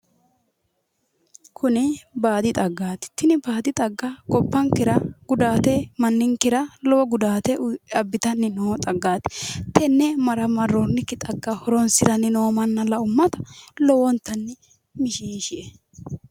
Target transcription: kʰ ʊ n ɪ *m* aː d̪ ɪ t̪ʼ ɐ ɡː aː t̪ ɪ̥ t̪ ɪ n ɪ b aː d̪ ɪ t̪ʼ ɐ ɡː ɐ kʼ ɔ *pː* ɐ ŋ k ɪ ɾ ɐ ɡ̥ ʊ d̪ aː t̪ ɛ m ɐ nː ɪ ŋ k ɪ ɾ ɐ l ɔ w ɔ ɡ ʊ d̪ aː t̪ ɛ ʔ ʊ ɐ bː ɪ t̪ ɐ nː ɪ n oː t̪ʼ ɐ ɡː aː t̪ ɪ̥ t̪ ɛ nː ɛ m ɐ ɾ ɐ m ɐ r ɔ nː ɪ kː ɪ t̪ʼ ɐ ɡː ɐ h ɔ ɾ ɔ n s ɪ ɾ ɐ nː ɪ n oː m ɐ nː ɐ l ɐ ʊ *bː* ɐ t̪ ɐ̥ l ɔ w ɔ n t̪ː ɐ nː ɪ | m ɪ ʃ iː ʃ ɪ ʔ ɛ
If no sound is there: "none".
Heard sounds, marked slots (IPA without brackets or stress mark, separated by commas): b, pː, mː